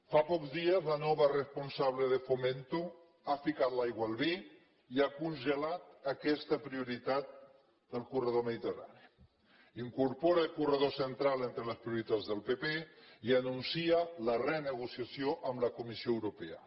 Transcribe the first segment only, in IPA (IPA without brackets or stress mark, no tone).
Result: f